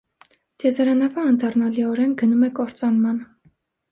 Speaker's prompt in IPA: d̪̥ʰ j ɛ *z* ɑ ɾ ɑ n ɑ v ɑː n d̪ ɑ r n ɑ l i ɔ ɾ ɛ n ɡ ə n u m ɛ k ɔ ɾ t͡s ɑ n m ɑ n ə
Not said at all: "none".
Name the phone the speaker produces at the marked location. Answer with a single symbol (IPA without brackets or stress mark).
z